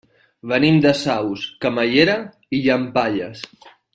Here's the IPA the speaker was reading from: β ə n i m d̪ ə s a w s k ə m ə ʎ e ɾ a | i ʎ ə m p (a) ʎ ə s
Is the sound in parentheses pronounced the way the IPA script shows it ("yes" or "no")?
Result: yes